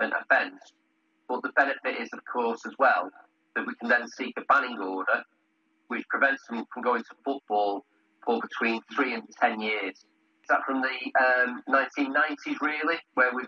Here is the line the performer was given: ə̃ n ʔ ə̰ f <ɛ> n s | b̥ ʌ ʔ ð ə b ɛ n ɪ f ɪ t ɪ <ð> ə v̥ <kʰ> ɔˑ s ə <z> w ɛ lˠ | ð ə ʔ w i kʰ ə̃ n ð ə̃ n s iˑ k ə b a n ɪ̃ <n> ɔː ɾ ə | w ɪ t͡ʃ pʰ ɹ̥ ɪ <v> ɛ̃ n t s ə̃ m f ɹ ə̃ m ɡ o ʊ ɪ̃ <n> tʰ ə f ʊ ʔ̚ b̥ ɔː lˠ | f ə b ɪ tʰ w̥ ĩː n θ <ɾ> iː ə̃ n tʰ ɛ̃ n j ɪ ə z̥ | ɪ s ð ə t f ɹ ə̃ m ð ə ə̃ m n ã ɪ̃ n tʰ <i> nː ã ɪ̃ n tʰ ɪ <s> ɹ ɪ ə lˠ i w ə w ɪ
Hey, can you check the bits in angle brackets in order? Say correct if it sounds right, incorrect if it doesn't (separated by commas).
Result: incorrect, incorrect, correct, correct, incorrect, correct, incorrect, incorrect, incorrect, incorrect